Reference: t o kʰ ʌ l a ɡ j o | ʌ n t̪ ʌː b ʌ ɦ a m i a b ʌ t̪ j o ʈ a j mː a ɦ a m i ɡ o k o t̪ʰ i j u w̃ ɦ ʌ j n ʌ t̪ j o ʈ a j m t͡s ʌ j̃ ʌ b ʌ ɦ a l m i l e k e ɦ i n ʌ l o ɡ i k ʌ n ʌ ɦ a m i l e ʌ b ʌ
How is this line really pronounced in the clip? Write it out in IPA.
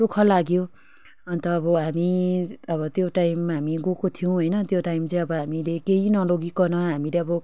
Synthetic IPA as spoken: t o kʰ ʌ l a ɡ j o | ʌ n t̪ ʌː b ʌ ɦ a m i ʌ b ʌ t̪ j o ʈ a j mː a ɦ a m i ɡ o k o t̪ʰ i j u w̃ ɦ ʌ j n ʌ t̪ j o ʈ a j m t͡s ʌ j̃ ʌ b ʌ ɦ a m i l e k e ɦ i n ʌ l o ɡ i k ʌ n ʌ ɦ a m i l e ʌ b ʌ